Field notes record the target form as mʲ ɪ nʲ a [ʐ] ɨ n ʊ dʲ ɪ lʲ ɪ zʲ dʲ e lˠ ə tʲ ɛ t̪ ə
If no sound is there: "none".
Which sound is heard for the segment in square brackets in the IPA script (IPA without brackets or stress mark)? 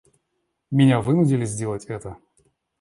v